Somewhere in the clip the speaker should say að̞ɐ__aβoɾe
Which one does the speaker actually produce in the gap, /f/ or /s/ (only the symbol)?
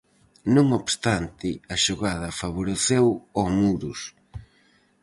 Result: f